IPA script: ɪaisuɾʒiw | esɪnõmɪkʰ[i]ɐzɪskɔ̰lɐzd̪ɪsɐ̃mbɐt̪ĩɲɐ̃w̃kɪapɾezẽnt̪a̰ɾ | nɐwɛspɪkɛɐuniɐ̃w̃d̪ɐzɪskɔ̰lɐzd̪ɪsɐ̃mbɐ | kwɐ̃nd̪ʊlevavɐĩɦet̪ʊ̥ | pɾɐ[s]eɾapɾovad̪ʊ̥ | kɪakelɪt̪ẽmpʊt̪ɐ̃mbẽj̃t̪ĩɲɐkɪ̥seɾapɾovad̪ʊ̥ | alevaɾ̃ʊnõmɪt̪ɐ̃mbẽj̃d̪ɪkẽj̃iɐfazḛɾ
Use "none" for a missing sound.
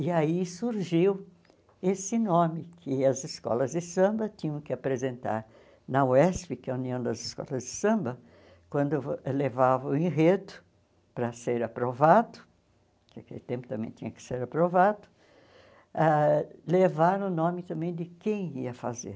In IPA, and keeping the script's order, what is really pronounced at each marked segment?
ɪ, s

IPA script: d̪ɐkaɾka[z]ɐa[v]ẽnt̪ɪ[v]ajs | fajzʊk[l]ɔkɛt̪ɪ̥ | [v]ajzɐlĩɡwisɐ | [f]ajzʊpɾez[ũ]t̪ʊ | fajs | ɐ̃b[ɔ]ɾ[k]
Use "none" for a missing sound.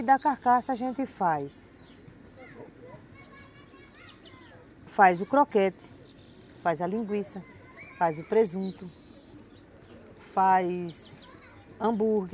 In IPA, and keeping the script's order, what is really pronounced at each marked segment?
s, ʒ, f, ɾ, f, f, ũ, u, ɡ

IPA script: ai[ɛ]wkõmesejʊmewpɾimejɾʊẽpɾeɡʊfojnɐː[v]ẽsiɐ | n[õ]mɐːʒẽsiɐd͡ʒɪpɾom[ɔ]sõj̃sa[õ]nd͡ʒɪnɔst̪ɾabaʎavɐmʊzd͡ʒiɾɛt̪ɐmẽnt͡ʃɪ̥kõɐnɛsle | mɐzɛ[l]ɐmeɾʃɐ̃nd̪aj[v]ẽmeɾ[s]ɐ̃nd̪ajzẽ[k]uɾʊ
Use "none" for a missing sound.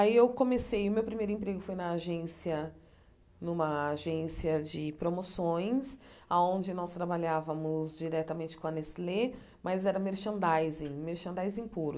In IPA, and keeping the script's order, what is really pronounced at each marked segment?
e, ʒ, ũ, o, õ, ɾ, z, ʃ, p

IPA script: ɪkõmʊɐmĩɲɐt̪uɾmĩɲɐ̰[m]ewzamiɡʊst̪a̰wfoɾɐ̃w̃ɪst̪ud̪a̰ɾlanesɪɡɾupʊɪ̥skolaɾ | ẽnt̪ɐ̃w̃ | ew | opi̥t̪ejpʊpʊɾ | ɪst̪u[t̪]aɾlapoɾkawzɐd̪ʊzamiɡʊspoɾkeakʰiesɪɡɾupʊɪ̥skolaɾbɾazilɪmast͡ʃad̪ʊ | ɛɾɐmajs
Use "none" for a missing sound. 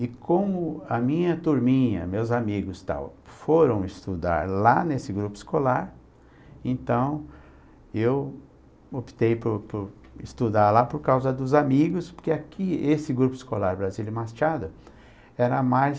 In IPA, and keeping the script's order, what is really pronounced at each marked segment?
m, d̪

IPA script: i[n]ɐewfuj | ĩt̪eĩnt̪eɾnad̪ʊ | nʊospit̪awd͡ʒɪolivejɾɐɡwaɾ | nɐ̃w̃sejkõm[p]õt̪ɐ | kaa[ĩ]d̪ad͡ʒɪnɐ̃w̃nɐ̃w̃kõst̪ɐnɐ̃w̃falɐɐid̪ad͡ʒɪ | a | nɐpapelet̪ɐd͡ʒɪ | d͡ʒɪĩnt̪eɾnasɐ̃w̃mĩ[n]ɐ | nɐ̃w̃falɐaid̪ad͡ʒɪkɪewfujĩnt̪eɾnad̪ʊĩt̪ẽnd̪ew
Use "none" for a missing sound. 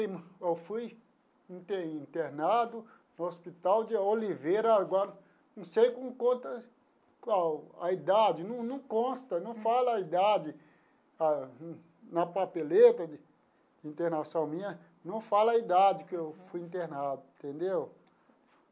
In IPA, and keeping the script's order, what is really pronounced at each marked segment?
m, k, i, ɲ

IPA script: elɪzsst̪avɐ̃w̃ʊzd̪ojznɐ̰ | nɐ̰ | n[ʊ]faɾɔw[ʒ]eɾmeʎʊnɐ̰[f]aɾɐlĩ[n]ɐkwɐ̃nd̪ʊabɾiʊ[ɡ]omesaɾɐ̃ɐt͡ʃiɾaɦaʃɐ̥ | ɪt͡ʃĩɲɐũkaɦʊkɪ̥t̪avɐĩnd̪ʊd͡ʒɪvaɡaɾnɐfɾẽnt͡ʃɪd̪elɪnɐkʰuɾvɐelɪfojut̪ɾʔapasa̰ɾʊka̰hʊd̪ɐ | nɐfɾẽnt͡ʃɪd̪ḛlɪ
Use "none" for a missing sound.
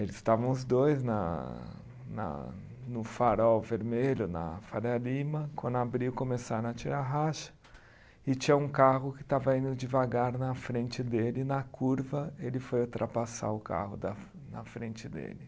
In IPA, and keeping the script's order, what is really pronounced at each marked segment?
ʊ, v, f, m, k

